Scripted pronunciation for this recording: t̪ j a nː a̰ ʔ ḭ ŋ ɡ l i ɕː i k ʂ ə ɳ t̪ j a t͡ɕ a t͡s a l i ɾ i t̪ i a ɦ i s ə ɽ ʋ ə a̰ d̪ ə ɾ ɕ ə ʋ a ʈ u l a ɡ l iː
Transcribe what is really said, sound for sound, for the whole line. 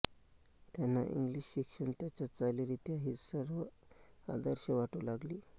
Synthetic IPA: t̪ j a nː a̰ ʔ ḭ ŋ ɡ l i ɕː i k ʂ ə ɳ t̪ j a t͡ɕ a t͡s a l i ɾ i t̪ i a ɦ i s ə ɾ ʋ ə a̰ d̪ ə ɾ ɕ ə ʋ a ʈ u l a ɡ l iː